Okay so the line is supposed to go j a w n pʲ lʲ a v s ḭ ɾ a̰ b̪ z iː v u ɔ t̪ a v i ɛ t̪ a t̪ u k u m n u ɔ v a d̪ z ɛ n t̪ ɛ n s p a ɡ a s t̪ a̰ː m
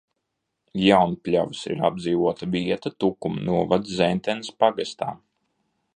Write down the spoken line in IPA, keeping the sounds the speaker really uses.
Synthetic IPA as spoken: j a w n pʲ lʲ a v s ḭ ɾ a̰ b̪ z iː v u ɔ t̪ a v i ɛ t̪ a t̪ u k u m n u ɔ v a d̪ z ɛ n t̪ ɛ n s p a ɡ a s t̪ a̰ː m